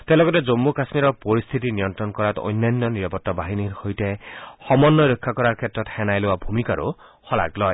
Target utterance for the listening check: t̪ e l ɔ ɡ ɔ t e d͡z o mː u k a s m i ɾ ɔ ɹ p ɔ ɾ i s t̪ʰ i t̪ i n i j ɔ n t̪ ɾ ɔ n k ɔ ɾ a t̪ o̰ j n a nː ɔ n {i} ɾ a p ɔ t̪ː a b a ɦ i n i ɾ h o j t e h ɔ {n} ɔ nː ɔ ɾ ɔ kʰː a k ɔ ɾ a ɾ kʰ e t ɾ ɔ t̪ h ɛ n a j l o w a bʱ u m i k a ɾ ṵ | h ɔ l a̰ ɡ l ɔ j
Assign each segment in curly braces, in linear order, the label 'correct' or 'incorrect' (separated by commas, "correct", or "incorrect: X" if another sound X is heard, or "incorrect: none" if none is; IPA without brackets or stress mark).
correct, incorrect: m